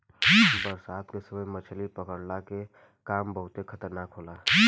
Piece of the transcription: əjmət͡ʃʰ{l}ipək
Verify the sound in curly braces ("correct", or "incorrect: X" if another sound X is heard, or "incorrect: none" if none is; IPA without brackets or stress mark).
correct